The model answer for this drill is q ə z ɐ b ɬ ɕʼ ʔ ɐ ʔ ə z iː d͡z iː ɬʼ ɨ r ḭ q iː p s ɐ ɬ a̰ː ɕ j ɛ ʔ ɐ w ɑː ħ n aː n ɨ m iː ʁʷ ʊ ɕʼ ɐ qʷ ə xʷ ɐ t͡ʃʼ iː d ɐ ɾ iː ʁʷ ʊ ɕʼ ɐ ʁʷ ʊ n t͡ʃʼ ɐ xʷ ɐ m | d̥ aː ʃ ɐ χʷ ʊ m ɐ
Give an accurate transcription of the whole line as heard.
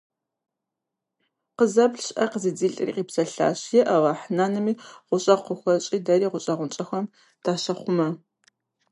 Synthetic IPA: q ə z ɐ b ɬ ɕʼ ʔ ɐ q ə z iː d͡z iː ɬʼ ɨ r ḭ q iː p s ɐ ɬ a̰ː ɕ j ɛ ʔ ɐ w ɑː ħ n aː n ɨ m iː ʁʷ ʊ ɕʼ ɐ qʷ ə xʷ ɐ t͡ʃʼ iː d ɐ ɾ iː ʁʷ ʊ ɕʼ ɐ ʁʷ ʊ n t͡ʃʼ ɐ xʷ ɐ m | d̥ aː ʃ ɐ χʷ ʊ m ɐ